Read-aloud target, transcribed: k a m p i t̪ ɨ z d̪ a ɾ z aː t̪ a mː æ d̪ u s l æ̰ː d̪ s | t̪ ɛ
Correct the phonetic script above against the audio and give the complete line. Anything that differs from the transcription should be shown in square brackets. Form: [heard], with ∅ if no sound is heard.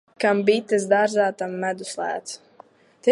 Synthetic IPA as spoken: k a m [b] i t̪ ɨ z d̪ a ɾ z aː t̪ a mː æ d̪ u s l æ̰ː [t̪] s | t̪ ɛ